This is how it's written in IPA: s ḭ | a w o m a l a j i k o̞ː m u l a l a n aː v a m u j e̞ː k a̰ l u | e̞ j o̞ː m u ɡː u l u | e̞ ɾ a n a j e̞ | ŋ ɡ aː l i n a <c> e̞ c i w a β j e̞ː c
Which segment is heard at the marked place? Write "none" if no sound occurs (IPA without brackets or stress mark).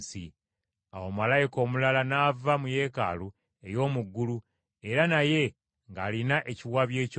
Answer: ʔ